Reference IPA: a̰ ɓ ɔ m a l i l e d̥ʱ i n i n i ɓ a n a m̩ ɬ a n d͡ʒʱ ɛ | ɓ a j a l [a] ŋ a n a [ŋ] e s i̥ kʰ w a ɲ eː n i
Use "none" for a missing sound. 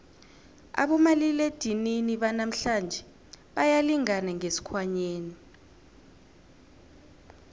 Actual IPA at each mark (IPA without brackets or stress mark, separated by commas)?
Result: i, ŋ